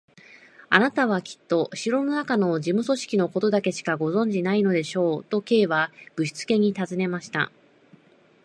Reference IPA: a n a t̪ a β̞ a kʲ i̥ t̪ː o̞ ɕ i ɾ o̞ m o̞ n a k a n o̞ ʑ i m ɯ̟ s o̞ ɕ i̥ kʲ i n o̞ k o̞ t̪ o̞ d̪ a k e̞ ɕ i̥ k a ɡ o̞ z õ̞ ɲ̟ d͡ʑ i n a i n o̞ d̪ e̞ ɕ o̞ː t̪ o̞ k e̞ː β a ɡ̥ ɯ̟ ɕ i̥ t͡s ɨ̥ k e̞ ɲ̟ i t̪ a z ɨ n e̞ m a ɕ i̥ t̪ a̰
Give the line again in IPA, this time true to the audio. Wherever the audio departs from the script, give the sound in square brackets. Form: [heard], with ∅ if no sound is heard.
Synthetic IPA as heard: a n a t̪ a β̞ a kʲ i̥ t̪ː o̞ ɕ i ɾ o̞ [n] o̞ n a k a n o̞ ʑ i m ɯ̟ s o̞ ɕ i̥ kʲ i n o̞ k o̞ t̪ o̞ d̪ a k e̞ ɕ i̥ k a ɡ o̞ z õ̞ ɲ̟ d͡ʑ i n a i n o̞ d̪ e̞ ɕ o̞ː t̪ o̞ k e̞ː β a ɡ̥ ɯ̟ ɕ i̥ t͡s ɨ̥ k e̞ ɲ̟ i t̪ a z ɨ n e̞ m a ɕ i̥ t̪ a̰